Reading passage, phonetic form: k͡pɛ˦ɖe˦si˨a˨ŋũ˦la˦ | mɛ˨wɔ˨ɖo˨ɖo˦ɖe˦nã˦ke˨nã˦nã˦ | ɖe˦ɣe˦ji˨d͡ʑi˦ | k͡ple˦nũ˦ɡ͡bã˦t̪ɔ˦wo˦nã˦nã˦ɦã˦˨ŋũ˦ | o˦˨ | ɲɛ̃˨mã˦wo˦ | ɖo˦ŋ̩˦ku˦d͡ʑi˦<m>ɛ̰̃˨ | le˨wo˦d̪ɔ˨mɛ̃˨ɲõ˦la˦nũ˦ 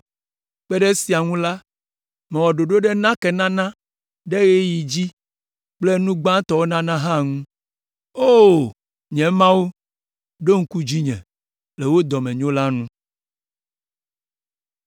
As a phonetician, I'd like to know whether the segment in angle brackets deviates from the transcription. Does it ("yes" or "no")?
yes